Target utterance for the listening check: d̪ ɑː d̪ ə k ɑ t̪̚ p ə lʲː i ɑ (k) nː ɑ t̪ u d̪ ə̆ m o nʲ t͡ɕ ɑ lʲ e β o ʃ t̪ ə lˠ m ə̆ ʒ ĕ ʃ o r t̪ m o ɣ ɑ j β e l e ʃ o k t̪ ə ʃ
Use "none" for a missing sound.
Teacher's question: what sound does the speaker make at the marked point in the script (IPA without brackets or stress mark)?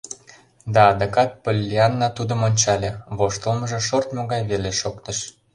none